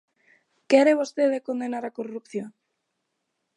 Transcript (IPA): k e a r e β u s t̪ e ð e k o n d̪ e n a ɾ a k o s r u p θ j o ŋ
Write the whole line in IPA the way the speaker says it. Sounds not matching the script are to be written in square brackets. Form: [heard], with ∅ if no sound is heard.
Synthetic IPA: k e a [ɾ] e β [o] s t̪ e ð e k o n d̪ e n a ɾ a k o [∅] r u p θ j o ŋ